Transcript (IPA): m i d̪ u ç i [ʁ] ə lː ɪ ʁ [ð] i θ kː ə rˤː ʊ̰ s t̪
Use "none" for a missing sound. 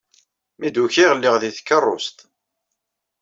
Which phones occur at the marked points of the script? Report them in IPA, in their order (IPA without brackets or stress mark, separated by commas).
ʁ, ð